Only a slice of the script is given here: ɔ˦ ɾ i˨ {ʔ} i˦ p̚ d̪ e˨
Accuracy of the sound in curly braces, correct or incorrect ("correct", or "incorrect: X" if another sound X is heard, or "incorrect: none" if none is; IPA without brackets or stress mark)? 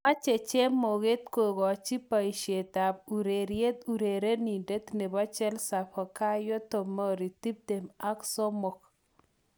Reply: incorrect: t